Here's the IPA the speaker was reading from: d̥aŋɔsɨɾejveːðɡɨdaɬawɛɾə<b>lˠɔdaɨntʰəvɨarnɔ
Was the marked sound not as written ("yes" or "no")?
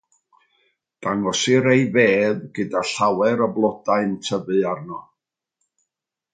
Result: no